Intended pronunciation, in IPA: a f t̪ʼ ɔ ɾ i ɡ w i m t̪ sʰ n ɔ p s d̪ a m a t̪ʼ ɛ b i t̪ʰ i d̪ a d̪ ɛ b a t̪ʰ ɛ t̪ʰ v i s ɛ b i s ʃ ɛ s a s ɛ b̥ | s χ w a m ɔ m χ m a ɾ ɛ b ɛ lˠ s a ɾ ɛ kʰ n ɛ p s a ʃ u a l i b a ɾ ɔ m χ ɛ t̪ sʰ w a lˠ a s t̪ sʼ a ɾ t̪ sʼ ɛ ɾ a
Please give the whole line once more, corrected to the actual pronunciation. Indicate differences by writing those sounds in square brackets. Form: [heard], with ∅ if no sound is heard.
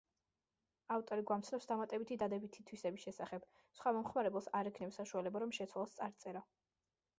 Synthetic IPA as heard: a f t̪ʼ ɔ ɾ i ɡ w [a] m t̪ sʰ n ɔ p s d̪ a m a t̪ʼ ɛ b i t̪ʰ i d̪ a d̪ ɛ b [i] t̪ʰ [i] t̪ʰ [w] i s ɛ b i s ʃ ɛ s a [χ] ɛ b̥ | s χ w a m ɔ m χ m a ɾ ɛ b ɛ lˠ s a ɾ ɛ kʰ n ɛ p s a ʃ u a l [ɛ] b a ɾ ɔ m [ʃ] ɛ t̪ sʰ w a lˠ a s t̪ sʼ a ɾ t̪ sʼ ɛ ɾ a